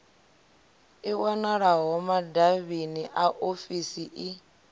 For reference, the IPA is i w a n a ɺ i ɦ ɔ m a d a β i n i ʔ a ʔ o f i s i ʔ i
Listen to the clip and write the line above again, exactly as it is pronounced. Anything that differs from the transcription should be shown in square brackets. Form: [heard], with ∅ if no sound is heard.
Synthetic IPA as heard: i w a n a ɺ [a] ɦ ɔ m a d a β i n i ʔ a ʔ o f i s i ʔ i